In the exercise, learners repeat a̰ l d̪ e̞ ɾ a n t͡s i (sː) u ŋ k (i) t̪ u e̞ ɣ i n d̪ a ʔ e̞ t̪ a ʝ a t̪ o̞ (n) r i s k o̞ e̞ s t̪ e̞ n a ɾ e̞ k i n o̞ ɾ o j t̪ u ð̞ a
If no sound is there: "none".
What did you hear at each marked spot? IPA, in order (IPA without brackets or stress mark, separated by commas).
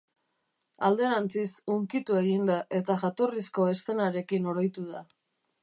s, i, none